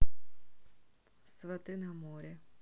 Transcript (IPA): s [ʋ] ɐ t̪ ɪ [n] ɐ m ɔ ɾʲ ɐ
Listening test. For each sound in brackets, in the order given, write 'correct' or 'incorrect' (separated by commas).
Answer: correct, correct